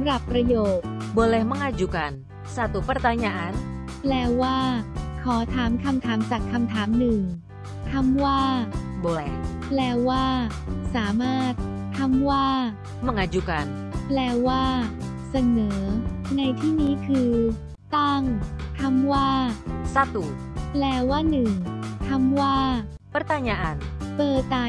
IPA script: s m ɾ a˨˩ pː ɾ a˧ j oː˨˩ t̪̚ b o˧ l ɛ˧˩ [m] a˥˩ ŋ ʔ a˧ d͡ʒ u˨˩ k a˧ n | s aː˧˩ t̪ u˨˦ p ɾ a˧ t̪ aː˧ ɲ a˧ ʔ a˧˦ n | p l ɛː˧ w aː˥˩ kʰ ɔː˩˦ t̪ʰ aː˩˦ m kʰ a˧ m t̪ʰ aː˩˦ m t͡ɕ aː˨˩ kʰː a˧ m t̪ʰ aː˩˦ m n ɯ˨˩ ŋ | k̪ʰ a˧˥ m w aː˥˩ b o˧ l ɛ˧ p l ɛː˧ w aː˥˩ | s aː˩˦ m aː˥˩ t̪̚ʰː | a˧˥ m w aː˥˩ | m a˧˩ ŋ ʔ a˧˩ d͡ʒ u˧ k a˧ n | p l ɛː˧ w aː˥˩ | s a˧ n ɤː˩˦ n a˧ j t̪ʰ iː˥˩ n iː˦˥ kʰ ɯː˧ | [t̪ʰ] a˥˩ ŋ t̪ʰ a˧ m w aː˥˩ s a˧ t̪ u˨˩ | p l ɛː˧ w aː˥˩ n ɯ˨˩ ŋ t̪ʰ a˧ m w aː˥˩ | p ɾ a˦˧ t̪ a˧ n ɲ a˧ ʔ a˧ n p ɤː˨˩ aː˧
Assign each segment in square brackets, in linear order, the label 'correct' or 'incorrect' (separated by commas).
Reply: correct, incorrect